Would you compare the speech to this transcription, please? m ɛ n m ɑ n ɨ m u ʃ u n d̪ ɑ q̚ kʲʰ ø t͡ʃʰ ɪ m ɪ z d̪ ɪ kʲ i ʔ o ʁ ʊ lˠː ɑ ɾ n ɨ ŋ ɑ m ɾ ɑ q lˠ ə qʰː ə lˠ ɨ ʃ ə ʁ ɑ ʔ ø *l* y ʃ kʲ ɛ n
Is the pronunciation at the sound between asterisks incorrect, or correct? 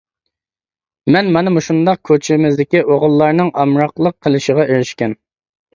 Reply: incorrect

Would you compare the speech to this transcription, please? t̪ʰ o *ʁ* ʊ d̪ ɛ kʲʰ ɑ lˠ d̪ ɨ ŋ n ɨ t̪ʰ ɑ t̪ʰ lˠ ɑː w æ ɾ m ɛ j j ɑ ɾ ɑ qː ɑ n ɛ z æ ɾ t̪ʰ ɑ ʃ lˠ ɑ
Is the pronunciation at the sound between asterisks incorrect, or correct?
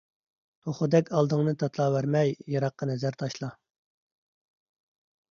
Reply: incorrect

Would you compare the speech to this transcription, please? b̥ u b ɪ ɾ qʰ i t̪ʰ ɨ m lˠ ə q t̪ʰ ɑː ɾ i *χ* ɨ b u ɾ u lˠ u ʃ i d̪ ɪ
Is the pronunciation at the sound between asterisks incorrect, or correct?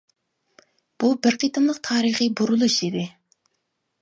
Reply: correct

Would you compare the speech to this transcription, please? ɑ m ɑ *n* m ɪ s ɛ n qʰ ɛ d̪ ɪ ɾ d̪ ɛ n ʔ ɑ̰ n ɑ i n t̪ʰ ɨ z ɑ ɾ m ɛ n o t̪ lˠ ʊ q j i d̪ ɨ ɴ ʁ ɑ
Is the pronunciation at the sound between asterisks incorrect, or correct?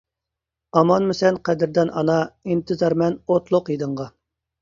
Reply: correct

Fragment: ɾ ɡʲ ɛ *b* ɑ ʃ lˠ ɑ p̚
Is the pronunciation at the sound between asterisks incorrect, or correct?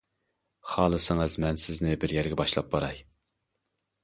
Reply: correct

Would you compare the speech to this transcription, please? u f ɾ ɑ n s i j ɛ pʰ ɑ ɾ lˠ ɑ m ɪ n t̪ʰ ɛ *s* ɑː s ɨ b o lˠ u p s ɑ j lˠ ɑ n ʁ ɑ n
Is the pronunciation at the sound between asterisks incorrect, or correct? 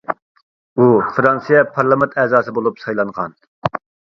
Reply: incorrect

